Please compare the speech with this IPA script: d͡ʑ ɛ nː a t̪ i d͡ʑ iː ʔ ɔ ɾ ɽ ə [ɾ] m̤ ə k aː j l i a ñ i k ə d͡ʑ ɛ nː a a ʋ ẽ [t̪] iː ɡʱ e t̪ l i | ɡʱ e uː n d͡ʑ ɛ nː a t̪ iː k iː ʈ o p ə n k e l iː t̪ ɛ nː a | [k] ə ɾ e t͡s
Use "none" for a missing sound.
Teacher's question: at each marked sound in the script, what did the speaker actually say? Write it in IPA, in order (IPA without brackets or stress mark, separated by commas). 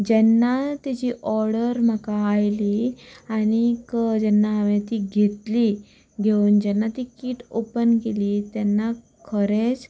ɾ, t̪, kʰ